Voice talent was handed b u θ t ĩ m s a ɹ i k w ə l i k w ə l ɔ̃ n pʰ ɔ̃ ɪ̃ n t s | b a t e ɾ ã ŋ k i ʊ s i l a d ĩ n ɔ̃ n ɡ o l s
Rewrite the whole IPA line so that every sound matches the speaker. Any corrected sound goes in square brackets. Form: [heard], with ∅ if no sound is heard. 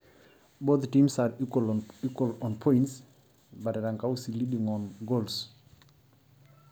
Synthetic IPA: b [o] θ t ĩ m s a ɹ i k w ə l i k w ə l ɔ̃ n pʰ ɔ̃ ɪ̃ n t s | b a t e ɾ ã ŋ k [a] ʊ s i l [i] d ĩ [ŋ] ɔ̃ n ɡ o l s